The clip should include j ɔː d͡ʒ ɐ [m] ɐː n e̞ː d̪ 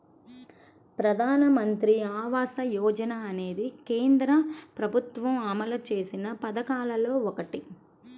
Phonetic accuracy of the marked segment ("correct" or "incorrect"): incorrect